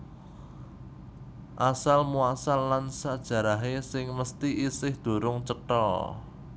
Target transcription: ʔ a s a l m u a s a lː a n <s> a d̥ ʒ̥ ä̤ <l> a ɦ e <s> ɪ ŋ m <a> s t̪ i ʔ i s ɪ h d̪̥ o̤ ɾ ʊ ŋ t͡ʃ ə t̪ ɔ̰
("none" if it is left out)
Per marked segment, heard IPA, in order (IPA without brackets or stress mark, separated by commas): s, ɾ, s, ə